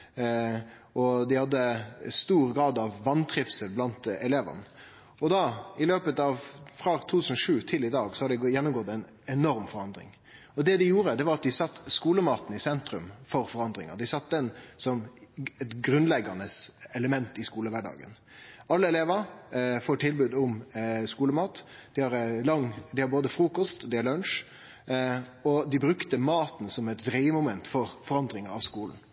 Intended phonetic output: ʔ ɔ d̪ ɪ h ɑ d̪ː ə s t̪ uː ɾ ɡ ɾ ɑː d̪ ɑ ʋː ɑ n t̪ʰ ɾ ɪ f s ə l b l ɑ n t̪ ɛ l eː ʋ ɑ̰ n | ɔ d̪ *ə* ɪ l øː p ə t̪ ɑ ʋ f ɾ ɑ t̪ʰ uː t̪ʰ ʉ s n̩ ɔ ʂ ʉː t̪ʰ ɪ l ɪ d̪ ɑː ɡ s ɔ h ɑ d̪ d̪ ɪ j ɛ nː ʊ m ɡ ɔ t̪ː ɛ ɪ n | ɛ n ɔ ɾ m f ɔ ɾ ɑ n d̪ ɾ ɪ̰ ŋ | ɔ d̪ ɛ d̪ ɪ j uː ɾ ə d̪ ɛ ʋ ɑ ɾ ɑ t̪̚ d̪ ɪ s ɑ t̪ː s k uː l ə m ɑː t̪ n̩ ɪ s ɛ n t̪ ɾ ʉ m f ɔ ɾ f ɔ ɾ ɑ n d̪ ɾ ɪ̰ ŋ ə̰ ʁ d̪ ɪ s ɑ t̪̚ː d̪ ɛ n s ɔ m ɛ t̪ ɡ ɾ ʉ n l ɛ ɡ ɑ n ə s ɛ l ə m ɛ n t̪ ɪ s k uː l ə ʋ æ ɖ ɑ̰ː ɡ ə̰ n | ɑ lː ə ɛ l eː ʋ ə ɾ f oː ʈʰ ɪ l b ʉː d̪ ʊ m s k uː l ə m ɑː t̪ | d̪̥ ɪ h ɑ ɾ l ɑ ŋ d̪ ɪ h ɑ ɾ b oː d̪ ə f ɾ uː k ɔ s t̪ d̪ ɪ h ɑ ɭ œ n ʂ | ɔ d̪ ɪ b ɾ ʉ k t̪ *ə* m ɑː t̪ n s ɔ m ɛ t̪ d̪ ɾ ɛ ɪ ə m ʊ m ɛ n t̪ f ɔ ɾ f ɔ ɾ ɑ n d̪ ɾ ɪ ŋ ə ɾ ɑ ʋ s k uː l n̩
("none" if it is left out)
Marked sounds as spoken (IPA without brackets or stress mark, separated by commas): ɑ, ə